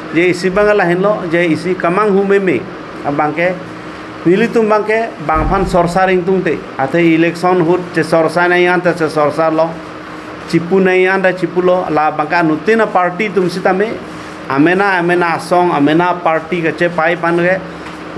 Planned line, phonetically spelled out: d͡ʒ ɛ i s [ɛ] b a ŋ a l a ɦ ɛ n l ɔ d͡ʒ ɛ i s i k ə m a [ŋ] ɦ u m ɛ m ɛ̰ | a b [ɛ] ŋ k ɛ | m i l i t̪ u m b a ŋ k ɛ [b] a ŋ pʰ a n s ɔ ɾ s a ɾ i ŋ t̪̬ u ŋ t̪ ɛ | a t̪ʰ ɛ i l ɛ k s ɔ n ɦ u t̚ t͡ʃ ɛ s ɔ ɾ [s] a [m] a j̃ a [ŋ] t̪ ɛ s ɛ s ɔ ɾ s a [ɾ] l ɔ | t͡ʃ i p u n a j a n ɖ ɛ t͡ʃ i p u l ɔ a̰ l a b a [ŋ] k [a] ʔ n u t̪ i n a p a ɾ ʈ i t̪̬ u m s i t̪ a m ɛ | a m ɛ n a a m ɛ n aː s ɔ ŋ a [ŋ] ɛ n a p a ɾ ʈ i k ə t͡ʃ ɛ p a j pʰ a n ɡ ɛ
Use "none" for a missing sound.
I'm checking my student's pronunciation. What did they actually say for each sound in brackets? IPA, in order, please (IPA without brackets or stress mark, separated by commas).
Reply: i, ŋ, a, b, s, n, n, ɾ, ŋ, a, m